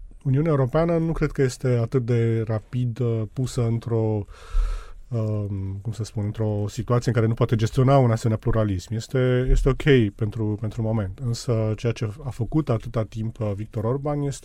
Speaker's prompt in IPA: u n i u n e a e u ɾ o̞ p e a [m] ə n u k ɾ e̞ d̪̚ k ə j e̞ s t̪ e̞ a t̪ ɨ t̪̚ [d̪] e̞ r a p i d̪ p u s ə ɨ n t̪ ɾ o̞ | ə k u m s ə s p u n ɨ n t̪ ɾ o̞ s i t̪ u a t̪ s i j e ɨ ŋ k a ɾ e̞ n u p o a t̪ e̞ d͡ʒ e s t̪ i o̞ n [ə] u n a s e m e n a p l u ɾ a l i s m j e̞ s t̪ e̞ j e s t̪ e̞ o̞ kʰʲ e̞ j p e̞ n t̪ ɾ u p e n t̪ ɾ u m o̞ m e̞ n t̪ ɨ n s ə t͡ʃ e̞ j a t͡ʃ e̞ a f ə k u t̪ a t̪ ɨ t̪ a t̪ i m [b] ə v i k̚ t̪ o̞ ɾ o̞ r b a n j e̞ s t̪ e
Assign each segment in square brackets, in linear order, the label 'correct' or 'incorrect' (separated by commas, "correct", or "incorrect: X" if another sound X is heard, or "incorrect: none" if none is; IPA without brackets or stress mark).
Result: incorrect: n, correct, incorrect: a, incorrect: p